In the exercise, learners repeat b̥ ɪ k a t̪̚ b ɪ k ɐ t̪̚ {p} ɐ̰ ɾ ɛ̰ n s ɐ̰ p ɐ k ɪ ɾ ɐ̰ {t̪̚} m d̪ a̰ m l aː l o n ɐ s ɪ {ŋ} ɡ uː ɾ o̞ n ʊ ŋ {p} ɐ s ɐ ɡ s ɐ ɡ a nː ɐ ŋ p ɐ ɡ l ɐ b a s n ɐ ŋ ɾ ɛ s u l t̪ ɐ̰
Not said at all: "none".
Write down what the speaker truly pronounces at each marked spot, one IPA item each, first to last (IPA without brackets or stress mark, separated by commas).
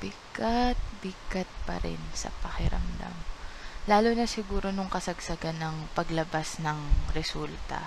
p, none, none, k